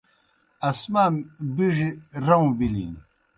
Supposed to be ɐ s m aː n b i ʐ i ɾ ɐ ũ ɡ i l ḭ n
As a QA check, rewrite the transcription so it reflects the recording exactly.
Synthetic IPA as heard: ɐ s m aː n b i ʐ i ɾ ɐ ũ b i l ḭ n